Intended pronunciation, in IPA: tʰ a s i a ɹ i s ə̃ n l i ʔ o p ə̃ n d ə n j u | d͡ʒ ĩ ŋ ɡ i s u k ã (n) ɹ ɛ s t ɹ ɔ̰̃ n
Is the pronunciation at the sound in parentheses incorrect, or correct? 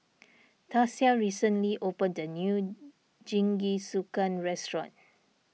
correct